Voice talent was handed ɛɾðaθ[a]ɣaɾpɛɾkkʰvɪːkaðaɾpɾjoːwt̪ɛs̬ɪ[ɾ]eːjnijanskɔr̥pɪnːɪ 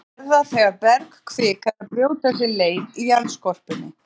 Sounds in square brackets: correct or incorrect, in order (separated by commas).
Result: incorrect, incorrect